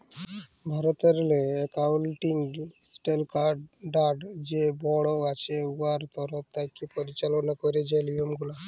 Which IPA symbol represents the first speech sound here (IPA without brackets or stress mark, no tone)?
bʱ